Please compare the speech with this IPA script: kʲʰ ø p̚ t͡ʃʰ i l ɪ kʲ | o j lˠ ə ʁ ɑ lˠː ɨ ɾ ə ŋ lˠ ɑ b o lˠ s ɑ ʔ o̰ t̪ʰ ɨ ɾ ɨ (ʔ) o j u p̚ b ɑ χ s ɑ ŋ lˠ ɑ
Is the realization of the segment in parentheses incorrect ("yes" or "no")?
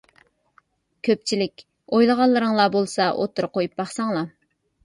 yes